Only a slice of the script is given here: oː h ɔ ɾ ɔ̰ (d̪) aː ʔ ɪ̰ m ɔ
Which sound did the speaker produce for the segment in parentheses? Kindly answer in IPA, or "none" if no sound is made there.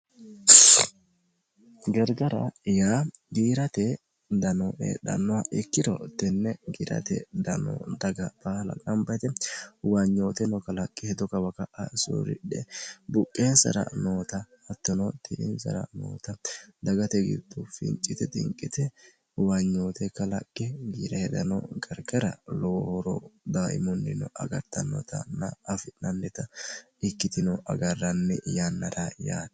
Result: d̪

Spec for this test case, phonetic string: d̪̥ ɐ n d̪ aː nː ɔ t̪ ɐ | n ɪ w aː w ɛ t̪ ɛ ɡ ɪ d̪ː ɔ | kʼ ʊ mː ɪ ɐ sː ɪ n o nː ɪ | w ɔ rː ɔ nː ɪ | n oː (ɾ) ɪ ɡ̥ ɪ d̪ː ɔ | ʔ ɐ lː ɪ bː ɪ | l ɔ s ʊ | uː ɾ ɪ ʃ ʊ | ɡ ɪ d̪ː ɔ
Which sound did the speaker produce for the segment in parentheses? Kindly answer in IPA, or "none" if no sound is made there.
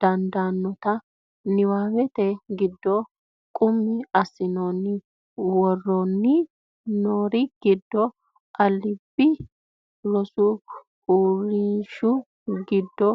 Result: ɾ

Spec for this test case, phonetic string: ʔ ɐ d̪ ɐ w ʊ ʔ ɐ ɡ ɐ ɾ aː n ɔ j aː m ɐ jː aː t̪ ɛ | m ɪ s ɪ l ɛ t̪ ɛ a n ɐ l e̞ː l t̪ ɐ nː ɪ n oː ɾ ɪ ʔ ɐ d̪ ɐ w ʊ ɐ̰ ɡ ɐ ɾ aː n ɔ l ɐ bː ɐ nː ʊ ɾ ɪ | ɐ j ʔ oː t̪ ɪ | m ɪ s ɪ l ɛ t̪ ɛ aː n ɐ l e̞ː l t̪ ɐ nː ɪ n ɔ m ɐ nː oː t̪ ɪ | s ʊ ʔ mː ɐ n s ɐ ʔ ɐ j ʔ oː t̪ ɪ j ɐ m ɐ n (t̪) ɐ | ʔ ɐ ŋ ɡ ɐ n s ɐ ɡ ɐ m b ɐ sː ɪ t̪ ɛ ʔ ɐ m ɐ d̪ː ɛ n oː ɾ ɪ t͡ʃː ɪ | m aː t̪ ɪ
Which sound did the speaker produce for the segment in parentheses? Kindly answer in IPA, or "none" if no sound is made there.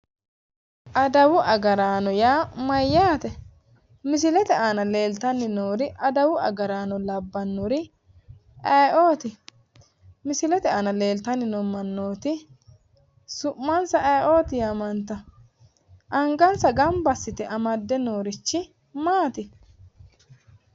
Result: t̪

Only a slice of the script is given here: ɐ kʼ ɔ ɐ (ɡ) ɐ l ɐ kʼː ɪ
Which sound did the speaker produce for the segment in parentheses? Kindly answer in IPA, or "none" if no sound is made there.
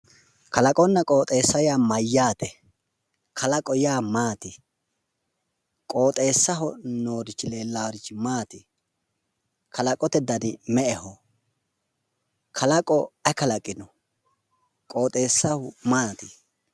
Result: k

